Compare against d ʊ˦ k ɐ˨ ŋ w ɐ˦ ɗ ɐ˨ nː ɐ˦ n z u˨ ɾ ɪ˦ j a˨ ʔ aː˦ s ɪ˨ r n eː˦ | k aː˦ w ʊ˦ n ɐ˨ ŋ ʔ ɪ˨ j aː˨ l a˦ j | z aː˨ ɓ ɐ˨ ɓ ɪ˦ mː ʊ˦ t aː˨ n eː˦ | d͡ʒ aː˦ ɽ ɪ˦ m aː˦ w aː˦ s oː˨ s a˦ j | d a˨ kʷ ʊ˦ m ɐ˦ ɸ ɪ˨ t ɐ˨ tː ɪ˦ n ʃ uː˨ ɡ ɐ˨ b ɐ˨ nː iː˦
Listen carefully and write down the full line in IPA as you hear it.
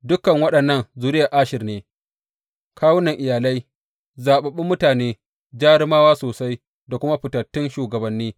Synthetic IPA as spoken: d ʊ˦ k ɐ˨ ŋ w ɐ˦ ɗ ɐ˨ nː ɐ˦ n z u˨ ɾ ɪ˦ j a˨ ʔ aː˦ ʃ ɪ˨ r n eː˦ | k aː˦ w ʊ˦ n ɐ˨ ŋ ʔ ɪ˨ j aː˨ l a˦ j | z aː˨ ɓ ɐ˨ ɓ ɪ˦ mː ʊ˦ t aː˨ n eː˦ | d͡ʒ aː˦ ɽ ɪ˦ m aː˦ w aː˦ s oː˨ s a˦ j | d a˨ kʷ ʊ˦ m a˦ ɸ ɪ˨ t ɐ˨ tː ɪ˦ n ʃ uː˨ ɡ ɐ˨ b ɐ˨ nː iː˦